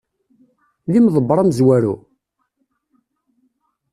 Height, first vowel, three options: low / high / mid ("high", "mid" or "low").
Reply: high